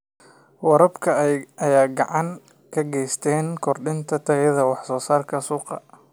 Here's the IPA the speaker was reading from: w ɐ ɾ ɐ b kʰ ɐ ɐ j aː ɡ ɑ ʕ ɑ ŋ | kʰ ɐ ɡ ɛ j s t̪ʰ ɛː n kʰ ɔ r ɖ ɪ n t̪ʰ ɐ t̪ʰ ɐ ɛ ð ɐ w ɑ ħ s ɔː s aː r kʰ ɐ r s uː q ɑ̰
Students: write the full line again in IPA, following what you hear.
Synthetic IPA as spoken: w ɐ ɾ ɐ b kʰ ɐ ɐ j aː ɡ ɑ ʕ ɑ ŋ | kʰ ɐ ɡ ɛ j s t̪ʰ ɛː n kʰ ɔ r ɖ ɪ n t̪ʰ ɐ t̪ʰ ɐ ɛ ð ɐ w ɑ ħ s ɔː s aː r kʰ ɐ s uː q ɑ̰